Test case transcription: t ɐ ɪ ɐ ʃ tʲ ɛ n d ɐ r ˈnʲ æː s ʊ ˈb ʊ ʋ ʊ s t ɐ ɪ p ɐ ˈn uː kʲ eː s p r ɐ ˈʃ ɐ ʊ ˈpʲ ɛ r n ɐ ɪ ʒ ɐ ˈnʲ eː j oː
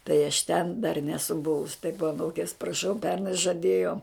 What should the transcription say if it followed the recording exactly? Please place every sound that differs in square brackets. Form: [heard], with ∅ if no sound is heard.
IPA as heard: t ɐ ɪ ɐ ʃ tʲ ɛ n d ɐ r ˈnʲ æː s ʊ ˈb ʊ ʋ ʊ s t ɐ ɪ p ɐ ˈn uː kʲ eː s p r ɐ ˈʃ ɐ ʊ ˈpʲ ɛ r n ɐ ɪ ʒ ɐ [ˈdʲ] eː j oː